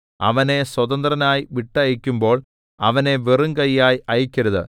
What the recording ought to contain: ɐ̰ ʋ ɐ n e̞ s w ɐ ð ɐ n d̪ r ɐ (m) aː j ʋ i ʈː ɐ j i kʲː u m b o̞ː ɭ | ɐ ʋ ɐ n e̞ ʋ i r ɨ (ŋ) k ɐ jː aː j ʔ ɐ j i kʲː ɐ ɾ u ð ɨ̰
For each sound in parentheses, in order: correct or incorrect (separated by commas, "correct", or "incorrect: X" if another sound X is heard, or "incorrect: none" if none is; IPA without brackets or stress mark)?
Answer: incorrect: n, correct